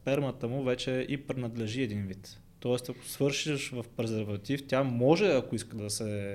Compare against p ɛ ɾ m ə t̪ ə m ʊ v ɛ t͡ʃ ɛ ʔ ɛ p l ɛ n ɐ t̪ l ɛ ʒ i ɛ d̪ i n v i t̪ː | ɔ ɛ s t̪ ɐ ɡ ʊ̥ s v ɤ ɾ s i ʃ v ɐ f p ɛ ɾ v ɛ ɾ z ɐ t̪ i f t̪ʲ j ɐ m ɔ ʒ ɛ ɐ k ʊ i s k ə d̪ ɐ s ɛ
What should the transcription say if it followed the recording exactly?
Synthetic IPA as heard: p ɛ ɾ m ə t̪ ə m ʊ v ɛ t͡ʃ ɛ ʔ i p ɾ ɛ n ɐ d̪ l ɛ ʒ i ɛ d̪ i n v i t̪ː | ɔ ɛ s t̪ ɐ k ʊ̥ s v ɤ ɾ ʃ i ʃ v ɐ f p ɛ ɾ z ɛ ɾ v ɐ t̪ i f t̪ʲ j a m ɔ ʒ ɛ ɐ k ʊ i s k ə d̪ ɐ s ɛ